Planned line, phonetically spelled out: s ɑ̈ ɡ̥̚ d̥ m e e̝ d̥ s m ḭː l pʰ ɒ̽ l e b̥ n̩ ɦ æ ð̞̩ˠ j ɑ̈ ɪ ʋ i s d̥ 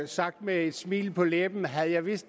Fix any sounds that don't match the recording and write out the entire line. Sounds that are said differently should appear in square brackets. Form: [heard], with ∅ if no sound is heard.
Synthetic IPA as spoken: s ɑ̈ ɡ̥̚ d̥ m e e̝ d̥ s m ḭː l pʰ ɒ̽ l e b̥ n̩ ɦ æ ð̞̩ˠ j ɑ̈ ɪ ʋ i s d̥